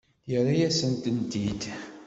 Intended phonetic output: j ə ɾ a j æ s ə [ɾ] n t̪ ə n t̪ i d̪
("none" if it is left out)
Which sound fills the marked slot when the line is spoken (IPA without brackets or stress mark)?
none